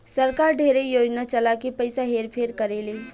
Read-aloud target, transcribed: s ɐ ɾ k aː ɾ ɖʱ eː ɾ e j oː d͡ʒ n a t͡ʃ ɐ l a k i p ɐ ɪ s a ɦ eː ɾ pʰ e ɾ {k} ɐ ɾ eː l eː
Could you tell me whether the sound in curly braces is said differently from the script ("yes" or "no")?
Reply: no